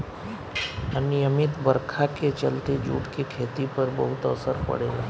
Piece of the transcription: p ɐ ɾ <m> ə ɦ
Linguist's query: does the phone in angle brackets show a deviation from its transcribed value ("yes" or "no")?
yes